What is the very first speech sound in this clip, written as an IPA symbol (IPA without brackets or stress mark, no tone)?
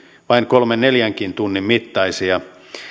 ʋ